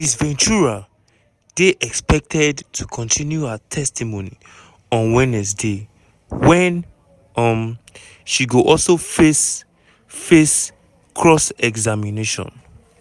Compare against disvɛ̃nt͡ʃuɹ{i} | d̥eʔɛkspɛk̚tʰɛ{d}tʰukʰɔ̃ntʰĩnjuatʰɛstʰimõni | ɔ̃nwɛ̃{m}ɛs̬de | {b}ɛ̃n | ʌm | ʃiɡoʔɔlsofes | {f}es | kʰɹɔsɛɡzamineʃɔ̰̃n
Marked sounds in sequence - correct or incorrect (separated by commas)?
incorrect, correct, incorrect, incorrect, correct